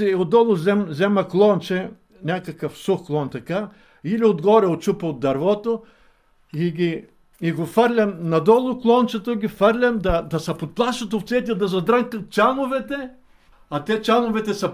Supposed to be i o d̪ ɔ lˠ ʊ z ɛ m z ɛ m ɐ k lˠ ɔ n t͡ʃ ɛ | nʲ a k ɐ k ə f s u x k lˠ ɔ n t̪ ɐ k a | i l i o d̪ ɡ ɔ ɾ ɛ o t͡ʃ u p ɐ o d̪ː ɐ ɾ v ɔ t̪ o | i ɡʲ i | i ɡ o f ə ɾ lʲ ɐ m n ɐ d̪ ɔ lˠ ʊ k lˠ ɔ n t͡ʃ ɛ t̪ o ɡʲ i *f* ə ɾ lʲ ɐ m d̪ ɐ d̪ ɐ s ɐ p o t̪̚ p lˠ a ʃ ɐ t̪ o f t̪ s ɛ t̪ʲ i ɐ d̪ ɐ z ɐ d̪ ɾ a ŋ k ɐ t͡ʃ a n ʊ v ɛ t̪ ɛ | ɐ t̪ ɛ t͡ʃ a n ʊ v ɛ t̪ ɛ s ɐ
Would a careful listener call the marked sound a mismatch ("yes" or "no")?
no